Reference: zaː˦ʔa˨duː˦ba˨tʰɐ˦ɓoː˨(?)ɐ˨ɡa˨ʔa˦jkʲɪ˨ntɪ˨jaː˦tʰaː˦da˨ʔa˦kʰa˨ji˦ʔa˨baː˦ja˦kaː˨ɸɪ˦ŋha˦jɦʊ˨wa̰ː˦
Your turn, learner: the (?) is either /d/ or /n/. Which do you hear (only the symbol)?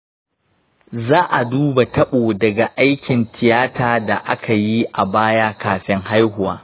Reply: d